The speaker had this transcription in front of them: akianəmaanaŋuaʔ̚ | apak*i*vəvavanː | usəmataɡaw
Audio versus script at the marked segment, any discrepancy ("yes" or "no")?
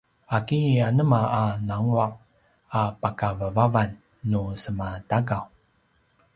yes